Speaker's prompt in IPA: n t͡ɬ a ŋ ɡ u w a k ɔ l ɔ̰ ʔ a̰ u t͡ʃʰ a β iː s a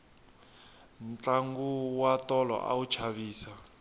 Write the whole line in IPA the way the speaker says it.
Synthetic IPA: n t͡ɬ a ŋ ɡ u w a t ɔ l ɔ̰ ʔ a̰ u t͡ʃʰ a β iː s a